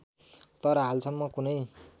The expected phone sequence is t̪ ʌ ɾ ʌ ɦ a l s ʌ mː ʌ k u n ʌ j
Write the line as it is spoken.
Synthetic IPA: t̪ ʌ ɾ ʌ ɦ a l s ʌ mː ʌ k u n ʌ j